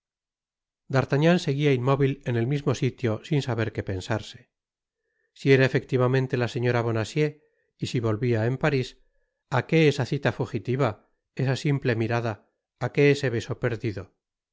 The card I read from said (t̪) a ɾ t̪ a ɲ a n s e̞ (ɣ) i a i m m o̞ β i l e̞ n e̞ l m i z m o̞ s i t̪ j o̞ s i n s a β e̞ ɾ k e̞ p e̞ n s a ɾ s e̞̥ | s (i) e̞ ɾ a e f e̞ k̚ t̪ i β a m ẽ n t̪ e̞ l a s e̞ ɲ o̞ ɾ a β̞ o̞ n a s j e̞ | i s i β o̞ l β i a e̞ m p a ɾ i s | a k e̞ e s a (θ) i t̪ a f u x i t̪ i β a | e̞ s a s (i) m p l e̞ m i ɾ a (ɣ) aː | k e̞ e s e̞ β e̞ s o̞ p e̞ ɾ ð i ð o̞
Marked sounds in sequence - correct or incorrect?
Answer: incorrect, correct, correct, correct, correct, incorrect

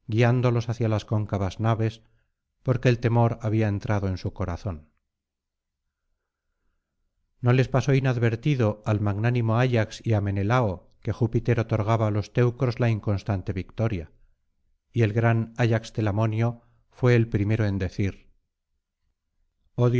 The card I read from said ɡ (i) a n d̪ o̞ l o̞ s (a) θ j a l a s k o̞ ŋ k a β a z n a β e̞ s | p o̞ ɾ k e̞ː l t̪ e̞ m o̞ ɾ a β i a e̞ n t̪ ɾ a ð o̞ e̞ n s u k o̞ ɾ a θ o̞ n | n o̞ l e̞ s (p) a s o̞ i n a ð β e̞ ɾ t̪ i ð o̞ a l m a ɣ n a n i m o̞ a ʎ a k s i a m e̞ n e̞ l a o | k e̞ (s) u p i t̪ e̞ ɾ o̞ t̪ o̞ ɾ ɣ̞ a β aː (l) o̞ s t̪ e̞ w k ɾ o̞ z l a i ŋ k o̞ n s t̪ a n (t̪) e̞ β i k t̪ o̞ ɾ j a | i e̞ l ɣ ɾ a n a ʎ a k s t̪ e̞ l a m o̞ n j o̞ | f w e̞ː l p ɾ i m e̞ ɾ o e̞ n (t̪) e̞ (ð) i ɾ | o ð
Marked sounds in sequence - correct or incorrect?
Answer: correct, correct, correct, incorrect, correct, correct, incorrect, incorrect

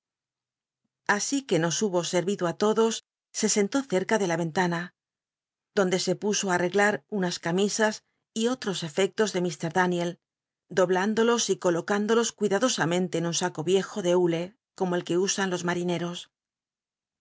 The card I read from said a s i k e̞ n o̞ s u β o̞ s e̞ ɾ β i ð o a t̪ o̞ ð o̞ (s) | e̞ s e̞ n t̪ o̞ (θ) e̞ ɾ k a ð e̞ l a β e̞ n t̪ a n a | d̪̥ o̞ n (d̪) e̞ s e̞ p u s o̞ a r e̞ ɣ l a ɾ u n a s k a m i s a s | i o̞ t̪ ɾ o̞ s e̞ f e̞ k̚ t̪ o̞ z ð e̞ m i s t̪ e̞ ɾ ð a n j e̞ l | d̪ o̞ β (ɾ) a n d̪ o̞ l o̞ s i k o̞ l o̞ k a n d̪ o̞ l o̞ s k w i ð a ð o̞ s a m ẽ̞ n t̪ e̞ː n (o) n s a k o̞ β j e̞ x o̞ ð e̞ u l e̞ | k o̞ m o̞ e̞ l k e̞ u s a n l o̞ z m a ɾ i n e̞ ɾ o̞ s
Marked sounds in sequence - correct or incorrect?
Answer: incorrect, correct, correct, incorrect, incorrect

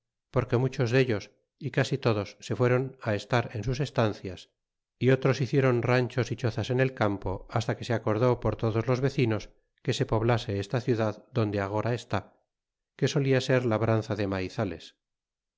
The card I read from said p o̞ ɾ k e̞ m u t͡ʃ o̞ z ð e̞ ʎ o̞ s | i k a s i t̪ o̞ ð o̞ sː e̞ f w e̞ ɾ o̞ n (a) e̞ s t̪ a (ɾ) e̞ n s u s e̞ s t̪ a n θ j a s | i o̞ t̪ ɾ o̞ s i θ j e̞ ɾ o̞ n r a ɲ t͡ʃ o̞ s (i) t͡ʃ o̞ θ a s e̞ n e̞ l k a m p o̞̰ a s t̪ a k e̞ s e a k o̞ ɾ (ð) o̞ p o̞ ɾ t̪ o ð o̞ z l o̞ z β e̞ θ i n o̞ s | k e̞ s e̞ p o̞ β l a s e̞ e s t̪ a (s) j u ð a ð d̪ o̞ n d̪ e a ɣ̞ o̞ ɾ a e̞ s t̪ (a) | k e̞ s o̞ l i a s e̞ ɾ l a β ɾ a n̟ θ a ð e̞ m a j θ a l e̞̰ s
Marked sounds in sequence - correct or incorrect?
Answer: correct, correct, correct, correct, incorrect, correct

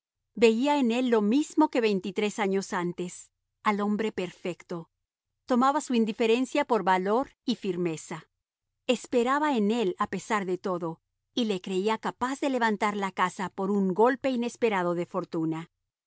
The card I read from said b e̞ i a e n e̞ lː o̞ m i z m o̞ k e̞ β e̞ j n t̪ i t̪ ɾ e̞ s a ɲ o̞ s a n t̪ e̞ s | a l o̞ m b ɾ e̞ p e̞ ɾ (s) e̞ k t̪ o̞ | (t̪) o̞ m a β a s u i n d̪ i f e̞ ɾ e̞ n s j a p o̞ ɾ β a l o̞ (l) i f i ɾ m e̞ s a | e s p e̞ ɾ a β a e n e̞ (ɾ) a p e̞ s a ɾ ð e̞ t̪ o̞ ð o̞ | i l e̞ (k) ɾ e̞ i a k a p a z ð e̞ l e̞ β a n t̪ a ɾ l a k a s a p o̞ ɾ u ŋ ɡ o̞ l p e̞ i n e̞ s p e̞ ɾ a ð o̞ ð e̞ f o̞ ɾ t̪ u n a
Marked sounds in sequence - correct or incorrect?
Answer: incorrect, correct, incorrect, incorrect, correct

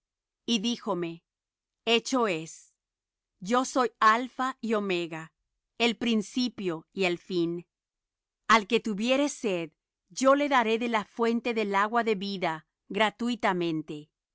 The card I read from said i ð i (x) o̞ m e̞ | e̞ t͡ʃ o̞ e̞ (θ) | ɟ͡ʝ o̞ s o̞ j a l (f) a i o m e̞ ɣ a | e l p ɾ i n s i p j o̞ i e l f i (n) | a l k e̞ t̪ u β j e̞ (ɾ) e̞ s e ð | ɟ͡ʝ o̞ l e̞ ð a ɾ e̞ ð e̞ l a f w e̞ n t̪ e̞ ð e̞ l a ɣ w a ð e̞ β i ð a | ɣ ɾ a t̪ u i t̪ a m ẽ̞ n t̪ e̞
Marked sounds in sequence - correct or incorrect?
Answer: correct, incorrect, correct, correct, correct

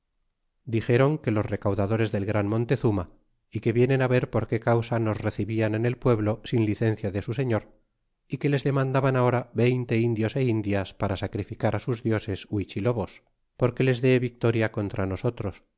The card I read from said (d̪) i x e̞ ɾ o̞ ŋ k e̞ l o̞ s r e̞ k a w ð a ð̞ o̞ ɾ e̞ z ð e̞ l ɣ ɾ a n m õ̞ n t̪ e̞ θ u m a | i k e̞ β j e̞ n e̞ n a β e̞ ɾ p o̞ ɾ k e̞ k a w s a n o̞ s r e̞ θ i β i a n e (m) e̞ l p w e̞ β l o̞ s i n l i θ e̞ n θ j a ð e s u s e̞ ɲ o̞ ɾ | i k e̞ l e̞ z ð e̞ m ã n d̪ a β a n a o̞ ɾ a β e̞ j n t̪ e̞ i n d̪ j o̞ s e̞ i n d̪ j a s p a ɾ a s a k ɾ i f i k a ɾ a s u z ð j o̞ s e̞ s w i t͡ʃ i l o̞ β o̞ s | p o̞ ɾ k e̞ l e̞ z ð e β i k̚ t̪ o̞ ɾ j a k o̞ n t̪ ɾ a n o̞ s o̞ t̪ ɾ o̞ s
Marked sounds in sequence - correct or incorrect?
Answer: correct, incorrect

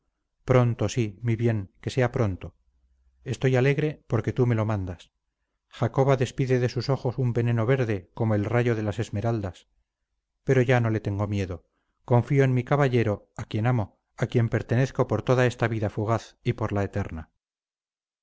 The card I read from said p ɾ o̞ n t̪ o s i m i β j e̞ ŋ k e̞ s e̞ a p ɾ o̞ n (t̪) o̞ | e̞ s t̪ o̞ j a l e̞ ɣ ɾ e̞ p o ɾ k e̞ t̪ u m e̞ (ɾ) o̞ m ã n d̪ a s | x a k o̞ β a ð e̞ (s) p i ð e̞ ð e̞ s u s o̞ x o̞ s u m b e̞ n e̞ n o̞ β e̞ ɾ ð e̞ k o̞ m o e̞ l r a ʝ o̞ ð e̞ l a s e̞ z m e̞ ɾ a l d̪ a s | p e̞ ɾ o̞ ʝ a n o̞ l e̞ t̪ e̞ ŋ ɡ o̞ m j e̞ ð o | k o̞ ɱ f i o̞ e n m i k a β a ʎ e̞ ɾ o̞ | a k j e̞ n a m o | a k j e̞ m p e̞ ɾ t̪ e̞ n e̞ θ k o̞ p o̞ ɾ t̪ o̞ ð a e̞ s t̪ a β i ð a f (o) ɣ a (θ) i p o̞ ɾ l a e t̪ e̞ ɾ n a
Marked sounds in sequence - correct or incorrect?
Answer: correct, incorrect, correct, incorrect, correct

